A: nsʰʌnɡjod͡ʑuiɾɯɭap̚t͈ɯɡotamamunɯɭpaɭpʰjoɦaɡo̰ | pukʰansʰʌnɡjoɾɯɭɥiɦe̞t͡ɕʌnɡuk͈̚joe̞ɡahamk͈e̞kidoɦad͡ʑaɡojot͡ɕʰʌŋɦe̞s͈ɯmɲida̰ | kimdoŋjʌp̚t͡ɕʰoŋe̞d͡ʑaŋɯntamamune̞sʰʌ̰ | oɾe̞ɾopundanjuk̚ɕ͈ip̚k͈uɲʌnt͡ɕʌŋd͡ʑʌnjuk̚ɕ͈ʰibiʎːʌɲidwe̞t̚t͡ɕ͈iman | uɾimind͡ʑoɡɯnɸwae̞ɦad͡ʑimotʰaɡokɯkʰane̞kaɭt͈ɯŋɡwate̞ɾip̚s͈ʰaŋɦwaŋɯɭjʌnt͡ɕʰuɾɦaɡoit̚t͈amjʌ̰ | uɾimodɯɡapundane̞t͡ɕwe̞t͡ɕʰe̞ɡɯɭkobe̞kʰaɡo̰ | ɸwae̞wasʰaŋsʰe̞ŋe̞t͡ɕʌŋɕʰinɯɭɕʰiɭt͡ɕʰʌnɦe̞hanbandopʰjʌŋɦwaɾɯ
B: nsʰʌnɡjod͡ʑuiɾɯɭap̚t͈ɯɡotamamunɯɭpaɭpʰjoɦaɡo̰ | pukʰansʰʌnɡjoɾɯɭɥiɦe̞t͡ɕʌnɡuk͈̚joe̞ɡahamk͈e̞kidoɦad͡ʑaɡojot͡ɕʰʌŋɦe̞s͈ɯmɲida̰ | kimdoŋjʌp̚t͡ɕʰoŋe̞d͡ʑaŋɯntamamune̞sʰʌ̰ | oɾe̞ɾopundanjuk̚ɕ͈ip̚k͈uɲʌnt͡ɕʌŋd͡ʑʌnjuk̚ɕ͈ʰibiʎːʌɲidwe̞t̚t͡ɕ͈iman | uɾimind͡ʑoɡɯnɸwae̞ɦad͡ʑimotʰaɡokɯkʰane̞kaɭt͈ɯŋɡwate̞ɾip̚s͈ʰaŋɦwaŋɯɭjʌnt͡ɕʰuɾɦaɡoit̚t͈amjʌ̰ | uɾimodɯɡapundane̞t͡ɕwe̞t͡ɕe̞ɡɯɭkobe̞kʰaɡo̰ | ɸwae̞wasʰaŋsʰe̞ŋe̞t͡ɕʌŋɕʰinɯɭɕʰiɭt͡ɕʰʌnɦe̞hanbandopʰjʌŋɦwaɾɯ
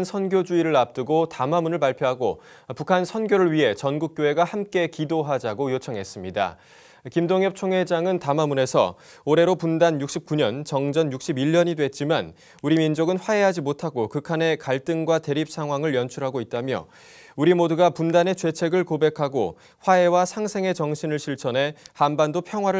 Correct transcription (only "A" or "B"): A